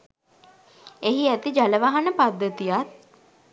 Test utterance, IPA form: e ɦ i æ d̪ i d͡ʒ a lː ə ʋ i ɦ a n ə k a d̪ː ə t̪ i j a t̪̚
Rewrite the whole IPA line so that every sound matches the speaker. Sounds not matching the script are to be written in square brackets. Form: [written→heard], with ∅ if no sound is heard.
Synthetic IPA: e ɦ i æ [d̪→t̪] i d͡ʒ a [lː→l] ə ʋ [i→a] ɦ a n ə [k→p] a d̪ː ə t̪ i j a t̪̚